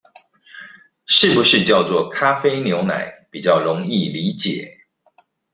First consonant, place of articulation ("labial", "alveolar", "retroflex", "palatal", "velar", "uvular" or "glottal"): retroflex